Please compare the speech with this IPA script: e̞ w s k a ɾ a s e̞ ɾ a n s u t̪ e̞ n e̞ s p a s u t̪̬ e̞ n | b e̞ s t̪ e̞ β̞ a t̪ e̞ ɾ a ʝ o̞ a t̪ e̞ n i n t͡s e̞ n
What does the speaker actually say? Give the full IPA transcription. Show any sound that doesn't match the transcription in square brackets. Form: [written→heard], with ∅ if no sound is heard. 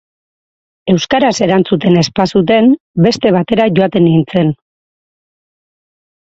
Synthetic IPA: e̞ w s k a ɾ a s e̞ ɾ a n [s→t͡s] u t̪ e̞ n e̞ s p a s u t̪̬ e̞ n | b e̞ s t̪ e̞ β̞ a t̪ e̞ ɾ a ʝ o̞ a t̪ e̞ n i n t͡s e̞ n

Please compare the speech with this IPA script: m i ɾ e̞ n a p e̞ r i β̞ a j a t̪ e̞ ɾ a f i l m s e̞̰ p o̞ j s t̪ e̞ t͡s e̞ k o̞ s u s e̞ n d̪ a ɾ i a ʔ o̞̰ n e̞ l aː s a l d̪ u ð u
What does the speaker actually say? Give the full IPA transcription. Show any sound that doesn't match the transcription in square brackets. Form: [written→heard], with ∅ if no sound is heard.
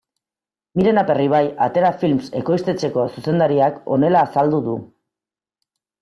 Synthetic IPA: m i ɾ e̞ n a p e̞ r i β̞ a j a t̪ e̞ ɾ a f i l m s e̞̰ [p→k] o̞ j s t̪ e̞ t͡s e̞ k o̞ s u s e̞ n d̪ a ɾ i a [ʔ→k] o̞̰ n e̞ l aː s a l d̪ u ð u

